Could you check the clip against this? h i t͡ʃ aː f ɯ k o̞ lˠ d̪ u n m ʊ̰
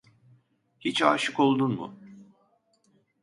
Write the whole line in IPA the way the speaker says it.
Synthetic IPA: h i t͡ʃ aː ʃ ɯ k o̞ lˠ d̪ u n m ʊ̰